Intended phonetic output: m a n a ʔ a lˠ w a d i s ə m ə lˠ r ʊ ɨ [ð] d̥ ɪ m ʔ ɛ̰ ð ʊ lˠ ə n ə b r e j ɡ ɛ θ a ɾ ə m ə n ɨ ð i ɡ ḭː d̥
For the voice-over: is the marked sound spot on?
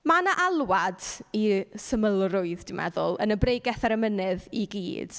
yes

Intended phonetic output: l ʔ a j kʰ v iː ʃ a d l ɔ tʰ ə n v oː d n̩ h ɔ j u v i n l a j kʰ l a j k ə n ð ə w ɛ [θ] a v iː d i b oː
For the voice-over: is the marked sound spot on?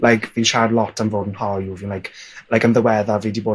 no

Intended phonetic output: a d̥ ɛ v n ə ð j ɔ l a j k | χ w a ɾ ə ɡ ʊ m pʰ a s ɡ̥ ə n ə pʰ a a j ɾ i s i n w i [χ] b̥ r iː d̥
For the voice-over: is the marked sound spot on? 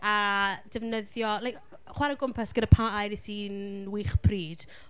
yes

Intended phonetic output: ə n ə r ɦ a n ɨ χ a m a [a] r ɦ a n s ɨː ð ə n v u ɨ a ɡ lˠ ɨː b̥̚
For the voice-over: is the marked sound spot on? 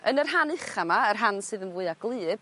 no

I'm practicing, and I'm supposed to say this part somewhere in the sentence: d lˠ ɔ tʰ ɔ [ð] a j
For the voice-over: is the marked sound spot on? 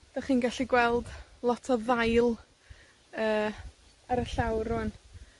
yes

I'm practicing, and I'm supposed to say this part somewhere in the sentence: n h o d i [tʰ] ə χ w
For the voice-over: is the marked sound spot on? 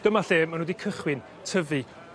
no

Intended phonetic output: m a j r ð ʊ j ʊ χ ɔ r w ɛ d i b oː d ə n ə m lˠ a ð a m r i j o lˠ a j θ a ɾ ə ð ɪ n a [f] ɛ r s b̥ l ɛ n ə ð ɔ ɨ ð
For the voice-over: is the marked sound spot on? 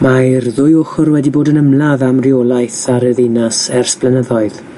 no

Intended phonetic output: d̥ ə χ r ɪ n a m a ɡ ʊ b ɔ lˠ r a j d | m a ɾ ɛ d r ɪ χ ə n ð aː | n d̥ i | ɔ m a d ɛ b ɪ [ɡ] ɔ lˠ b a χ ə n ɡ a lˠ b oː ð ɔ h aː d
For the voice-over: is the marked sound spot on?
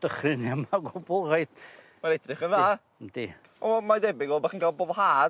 yes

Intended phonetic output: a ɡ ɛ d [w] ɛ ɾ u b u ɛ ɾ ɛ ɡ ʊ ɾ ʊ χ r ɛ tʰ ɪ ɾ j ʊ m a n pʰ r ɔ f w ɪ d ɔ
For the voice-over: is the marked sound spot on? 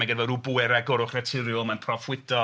no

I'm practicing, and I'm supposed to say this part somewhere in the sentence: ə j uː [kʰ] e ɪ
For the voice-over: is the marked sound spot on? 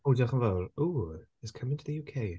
yes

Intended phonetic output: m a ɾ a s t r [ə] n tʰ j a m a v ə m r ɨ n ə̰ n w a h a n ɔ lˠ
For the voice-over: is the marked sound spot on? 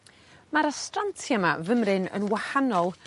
no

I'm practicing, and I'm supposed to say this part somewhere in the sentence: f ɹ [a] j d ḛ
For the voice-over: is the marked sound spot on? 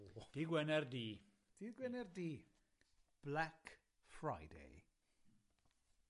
yes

